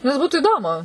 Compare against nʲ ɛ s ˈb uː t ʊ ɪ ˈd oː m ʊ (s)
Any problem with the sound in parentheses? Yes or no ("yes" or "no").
yes